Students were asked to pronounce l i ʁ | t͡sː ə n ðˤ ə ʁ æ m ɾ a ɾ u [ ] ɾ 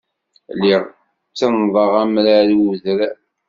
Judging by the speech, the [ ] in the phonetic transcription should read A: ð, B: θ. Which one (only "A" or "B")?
A